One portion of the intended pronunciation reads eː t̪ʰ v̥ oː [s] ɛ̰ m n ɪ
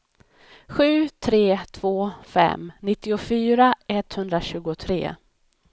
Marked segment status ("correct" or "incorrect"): incorrect